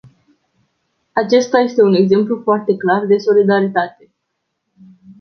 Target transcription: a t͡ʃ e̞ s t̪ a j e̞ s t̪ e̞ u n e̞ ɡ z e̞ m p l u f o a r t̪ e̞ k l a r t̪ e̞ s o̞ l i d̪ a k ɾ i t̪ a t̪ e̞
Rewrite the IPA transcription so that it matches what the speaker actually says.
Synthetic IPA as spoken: a t͡ʃ e̞ s t̪ a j e̞ s t̪ e̞ u n e̞ ɡ z e̞ m p l u f o a r t̪ e̞ k l a r d̪ e̞ s o̞ l i d̪ a ɾ i t̪ a t̪ e̞